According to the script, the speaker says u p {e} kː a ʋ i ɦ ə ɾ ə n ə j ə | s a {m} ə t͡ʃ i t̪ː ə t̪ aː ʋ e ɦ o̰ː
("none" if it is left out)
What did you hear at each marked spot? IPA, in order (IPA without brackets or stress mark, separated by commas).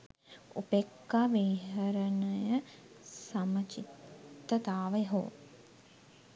e, m